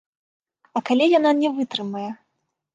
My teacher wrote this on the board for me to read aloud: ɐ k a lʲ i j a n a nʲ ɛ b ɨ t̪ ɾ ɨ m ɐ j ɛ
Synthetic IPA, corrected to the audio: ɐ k a lʲ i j a n a nʲ ɛ v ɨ t̪ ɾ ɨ m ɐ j ɛ